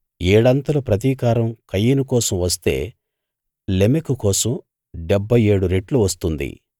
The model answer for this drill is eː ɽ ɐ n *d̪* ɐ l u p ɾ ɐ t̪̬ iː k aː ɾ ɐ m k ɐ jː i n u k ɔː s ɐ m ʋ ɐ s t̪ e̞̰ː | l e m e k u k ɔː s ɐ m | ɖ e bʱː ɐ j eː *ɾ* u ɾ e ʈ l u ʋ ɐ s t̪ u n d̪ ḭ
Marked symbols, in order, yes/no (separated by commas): no, no